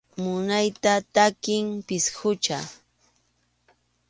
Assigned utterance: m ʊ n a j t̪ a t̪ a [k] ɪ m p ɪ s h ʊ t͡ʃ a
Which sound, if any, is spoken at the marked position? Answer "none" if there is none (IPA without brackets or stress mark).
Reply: k